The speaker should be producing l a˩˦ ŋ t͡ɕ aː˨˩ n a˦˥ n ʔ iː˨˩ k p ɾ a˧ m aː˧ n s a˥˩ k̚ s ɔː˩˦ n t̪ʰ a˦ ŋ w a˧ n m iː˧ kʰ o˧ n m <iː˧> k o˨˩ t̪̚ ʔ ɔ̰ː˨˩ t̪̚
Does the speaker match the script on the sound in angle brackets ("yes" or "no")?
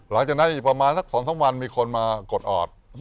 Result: no